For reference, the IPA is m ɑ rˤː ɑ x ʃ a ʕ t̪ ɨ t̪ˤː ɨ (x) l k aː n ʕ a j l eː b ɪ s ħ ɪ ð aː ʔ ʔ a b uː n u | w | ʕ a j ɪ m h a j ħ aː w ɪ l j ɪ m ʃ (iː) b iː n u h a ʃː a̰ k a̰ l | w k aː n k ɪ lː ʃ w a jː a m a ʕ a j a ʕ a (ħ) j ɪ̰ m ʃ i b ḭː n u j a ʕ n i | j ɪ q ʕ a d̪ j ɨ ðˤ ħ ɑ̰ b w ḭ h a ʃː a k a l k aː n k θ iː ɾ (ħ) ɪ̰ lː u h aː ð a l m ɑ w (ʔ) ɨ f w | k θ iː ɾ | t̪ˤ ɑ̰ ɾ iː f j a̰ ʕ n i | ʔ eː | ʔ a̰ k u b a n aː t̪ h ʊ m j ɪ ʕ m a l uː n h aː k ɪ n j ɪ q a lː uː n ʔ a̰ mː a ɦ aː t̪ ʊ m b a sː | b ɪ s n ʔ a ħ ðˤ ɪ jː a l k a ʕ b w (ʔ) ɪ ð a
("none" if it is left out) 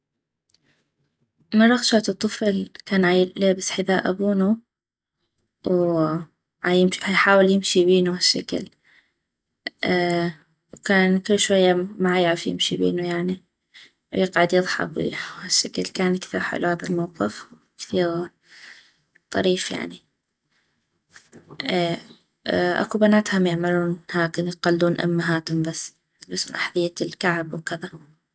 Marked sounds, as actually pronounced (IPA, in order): f, i, f, ħ, q, k

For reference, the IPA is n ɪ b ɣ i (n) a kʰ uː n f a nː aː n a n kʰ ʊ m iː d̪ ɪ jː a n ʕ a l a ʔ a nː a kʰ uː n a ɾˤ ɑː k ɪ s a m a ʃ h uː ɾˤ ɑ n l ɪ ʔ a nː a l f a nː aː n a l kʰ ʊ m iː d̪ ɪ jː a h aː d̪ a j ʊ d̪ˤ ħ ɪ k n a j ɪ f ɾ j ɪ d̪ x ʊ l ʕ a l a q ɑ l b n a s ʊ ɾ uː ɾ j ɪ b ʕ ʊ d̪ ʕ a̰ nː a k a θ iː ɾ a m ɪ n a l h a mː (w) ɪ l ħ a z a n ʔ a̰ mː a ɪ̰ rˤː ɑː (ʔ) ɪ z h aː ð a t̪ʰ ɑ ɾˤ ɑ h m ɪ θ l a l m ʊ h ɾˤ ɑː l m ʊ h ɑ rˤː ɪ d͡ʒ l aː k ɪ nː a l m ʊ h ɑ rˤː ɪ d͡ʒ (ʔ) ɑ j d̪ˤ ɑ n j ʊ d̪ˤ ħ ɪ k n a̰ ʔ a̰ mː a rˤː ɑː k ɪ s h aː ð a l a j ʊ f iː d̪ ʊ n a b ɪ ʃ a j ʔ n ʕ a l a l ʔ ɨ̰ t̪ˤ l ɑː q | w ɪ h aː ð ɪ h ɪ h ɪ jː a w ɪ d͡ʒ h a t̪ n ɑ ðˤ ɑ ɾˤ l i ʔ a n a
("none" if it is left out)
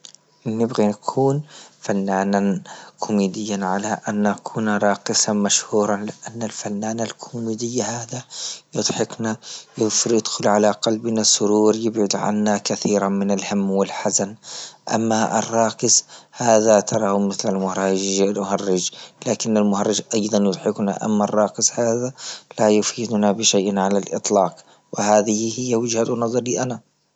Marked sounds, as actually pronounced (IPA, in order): n, w, k, ʔ

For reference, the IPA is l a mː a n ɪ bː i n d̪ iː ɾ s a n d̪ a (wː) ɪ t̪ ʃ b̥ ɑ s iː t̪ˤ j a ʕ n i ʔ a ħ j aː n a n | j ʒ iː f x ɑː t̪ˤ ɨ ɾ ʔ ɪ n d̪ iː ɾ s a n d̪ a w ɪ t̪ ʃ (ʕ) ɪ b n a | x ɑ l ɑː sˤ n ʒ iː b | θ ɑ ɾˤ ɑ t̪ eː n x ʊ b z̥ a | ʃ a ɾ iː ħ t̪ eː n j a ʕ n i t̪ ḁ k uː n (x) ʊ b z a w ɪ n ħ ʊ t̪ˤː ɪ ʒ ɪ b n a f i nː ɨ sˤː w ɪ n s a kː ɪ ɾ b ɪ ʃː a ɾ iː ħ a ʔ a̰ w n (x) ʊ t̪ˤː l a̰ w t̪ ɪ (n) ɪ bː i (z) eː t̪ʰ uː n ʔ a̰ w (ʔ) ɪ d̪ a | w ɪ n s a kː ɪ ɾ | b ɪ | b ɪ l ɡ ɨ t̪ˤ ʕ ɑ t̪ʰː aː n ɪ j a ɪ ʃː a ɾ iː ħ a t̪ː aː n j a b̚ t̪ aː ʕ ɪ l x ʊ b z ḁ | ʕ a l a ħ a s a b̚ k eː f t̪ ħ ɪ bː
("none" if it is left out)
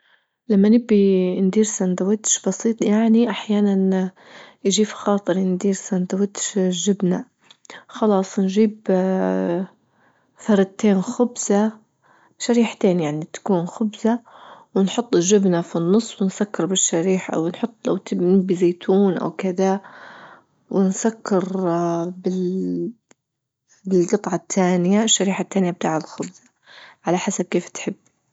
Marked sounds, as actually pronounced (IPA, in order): w, ʒ, x, ħ, n, z, k

